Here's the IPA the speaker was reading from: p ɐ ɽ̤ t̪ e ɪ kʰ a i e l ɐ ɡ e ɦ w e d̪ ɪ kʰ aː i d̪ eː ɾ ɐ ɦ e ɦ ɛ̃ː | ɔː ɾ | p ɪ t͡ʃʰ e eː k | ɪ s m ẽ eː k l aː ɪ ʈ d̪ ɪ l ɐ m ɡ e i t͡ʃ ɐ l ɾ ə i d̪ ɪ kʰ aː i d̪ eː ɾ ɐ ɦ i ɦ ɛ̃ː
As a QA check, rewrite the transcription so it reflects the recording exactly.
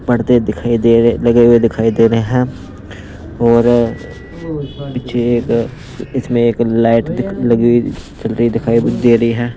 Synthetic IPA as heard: p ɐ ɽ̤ t̪ e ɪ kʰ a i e l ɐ ɡ e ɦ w e d̪ ɪ kʰ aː i d̪ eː ɾ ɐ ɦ e ɦ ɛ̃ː | ɔː ɾ | p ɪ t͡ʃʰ e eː k | ɪ s m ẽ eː k l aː ɪ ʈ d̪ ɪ l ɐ ɡ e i t͡ʃ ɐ l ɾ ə i d̪ ɪ kʰ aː i d̪ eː ɾ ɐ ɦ i ɦ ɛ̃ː